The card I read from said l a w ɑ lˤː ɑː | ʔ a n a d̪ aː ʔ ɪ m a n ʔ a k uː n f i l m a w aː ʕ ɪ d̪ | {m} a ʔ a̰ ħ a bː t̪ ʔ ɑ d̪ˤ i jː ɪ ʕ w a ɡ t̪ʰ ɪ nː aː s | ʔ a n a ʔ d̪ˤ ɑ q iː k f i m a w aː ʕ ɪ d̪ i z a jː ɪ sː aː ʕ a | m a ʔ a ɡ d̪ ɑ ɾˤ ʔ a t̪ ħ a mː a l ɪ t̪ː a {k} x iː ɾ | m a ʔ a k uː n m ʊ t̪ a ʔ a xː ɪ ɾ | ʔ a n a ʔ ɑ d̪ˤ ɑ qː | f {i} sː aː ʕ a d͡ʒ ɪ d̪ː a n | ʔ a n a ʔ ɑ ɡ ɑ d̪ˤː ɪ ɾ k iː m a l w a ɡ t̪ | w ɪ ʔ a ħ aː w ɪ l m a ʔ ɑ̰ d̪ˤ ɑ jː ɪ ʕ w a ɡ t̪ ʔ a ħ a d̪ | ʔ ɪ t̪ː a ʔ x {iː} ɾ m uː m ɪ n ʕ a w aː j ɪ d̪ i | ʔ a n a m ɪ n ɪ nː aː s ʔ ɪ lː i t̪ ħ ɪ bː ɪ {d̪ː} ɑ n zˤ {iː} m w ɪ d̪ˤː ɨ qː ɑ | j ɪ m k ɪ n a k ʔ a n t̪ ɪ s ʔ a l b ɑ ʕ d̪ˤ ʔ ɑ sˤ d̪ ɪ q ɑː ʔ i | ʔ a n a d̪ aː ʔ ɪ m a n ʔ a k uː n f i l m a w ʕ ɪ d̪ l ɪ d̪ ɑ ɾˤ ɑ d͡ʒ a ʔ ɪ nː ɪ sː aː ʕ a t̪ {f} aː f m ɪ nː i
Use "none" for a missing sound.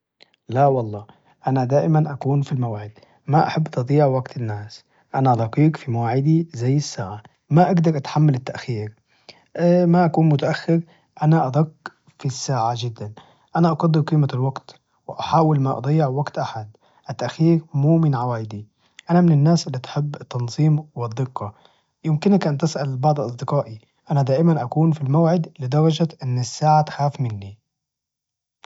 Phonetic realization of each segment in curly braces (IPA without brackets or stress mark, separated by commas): m, ʔ, i, iː, t̪ː, iː, x